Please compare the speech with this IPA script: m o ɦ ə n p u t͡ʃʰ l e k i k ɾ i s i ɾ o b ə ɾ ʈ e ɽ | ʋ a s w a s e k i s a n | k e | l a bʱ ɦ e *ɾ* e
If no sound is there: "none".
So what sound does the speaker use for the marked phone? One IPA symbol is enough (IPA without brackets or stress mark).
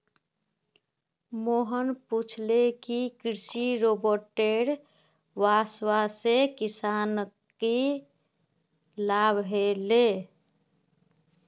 l